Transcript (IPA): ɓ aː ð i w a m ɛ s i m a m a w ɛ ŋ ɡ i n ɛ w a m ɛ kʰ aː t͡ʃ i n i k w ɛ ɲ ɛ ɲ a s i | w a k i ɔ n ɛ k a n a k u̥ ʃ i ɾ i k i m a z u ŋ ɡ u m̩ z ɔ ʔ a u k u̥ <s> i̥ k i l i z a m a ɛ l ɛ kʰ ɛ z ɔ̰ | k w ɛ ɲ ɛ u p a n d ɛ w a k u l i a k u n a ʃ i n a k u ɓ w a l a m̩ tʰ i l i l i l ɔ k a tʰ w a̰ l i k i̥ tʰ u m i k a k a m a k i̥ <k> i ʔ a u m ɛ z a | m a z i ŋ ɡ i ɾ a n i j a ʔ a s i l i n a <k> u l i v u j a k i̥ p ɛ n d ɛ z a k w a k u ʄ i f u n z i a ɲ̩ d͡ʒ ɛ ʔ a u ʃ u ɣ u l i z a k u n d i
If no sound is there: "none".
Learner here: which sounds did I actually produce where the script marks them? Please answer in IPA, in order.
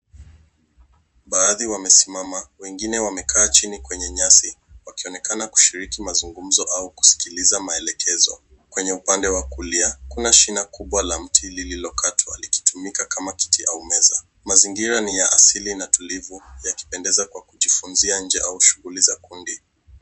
s, t, t

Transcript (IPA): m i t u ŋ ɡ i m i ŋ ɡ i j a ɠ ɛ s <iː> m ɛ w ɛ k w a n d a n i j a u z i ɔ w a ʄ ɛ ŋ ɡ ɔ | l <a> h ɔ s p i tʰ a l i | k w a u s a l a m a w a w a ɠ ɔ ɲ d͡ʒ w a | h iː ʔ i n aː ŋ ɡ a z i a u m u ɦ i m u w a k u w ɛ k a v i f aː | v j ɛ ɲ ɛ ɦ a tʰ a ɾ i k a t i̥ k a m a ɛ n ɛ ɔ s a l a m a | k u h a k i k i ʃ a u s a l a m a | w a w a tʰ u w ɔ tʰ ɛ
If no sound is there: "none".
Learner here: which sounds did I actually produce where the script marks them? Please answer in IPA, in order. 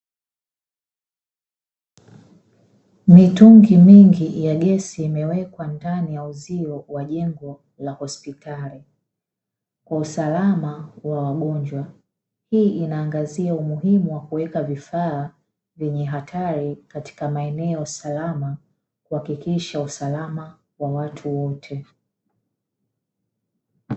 iː, a

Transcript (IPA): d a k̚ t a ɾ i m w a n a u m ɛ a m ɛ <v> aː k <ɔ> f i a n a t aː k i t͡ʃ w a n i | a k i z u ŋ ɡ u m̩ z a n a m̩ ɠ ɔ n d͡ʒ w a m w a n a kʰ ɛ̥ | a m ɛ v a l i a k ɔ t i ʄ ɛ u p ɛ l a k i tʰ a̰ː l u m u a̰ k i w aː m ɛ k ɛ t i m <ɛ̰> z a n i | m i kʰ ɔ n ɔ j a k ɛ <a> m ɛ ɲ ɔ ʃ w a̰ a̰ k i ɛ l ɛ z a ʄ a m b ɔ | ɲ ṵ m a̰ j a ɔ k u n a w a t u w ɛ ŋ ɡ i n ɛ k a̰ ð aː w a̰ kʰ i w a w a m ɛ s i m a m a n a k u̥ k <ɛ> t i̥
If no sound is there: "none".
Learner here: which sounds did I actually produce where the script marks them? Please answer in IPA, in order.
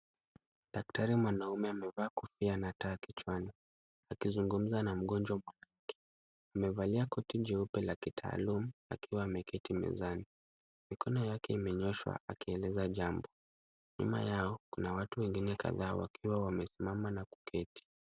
v, u, ɛ̰, i, ɛ

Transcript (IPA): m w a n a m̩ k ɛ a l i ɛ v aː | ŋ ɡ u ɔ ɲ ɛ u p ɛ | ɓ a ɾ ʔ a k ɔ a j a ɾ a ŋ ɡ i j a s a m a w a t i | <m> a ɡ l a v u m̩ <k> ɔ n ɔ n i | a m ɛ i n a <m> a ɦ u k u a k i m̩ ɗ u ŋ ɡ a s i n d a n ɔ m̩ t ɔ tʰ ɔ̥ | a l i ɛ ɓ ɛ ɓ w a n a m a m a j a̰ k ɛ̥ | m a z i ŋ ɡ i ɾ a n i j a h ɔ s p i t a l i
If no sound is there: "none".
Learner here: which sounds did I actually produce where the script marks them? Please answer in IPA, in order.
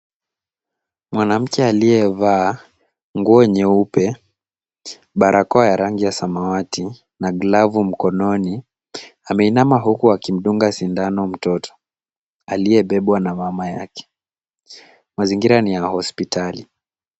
n, k, m

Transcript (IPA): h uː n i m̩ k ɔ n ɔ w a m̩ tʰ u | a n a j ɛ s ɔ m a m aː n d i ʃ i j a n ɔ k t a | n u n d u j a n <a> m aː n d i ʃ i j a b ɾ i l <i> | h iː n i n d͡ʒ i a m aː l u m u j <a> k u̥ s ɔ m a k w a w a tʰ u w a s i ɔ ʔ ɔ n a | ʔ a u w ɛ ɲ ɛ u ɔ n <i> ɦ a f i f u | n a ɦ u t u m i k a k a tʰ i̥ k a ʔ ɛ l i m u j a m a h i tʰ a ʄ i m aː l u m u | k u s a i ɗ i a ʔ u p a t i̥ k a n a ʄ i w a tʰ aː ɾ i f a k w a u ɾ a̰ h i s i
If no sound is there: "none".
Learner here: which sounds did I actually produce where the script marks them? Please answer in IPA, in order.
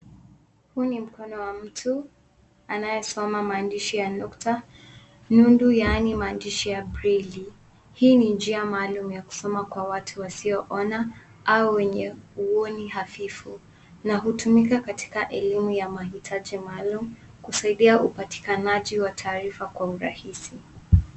i, i, a, i

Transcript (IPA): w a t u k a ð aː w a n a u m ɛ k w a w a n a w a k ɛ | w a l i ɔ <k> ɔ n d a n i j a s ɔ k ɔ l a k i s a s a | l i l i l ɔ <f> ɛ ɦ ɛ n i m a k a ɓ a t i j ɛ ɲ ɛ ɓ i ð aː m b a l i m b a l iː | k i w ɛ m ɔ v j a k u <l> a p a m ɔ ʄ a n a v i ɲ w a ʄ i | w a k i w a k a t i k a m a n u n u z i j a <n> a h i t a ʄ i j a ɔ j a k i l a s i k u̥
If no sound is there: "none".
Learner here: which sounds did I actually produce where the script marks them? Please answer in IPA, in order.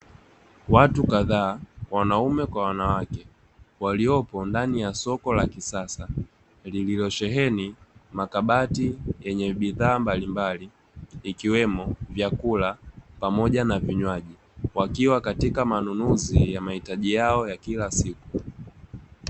p, ʃ, l, m

